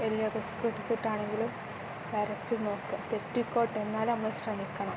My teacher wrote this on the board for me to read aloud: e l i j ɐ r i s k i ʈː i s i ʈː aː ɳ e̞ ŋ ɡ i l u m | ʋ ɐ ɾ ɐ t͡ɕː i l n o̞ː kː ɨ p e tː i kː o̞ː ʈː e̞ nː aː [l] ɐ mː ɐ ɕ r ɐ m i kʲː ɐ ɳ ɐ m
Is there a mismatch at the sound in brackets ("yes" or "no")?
no